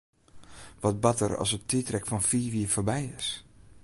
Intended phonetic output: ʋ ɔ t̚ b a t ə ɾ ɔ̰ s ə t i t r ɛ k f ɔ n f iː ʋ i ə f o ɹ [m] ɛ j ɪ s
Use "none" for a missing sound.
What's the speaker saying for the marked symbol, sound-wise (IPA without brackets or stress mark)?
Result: b